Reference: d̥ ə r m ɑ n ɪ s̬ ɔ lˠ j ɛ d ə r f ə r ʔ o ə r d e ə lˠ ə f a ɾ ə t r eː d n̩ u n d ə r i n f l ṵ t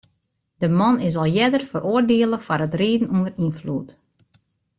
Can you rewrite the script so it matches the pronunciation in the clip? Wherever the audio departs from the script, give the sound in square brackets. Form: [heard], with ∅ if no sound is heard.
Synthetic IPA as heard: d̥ ə [∅] m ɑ n ɪ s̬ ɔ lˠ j ɛ d ə r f ə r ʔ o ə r d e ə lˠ ə f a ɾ ə t r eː d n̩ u n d ə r i n f l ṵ t

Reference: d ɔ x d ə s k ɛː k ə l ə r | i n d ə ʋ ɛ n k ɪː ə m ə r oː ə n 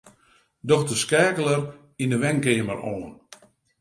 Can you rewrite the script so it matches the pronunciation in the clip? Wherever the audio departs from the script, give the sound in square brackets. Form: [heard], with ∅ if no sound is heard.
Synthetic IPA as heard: d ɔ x d ə s k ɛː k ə l ə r | i n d ə ʋ ɛ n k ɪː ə m ə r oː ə n

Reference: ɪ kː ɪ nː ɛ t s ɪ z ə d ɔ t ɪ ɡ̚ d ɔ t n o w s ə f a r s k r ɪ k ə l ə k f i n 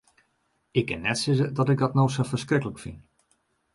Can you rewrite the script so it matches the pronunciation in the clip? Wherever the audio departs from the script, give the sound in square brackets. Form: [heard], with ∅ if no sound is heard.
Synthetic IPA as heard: ɪ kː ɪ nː ɛ t s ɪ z ə d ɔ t ɪ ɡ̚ d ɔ t n o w s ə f [ə] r s k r ɪ k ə l ə k f i n

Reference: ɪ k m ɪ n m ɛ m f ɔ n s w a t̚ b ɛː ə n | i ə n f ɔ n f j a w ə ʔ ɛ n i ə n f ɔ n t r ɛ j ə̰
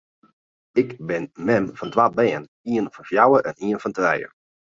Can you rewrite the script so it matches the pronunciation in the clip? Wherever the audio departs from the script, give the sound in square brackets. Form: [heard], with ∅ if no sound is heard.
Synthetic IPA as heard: ɪ k [b] ɪ n m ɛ m f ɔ n [t] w a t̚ b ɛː ə n | i ə n f ɔ n f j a w ə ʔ ɛ n i ə n f ɔ n t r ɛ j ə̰

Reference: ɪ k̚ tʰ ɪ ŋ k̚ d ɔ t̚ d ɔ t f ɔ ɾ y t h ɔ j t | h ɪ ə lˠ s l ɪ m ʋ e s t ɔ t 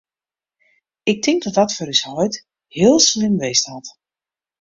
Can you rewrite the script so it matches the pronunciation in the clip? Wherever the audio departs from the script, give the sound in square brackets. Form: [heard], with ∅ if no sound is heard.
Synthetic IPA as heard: ɪ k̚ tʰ ɪ ŋ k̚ d ɔ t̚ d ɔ t f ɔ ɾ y [s] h ɔ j t | h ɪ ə lˠ s l ɪ m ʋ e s t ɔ t

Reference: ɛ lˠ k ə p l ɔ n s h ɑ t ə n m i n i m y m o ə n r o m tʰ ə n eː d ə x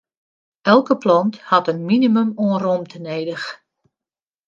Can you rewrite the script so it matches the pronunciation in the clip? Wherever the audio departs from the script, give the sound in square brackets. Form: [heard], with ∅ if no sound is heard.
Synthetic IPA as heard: ɛ lˠ k ə p l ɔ n [t] h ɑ t ə n m i n i m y m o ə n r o m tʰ ə n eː d ə x

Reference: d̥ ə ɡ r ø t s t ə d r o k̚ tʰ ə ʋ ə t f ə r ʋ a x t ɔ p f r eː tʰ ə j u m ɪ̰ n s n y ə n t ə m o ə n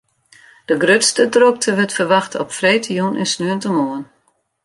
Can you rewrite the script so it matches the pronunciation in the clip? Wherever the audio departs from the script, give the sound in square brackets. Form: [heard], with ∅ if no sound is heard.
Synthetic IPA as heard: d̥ ə ɡ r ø t s t ə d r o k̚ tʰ ə ʋ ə t f ə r ʋ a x t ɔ p f r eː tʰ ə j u [n] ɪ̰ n s n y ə n t ə m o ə n

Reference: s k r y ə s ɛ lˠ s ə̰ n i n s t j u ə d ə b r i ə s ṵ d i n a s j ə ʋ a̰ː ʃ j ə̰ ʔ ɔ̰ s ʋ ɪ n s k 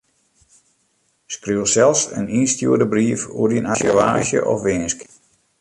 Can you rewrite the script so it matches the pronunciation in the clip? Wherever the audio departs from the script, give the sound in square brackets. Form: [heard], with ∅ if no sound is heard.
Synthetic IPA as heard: s k r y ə s ɛ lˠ s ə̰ n i n s t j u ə d ə b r i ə [f] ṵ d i n a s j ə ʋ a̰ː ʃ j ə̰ ʔ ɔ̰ [f] ʋ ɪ n s k

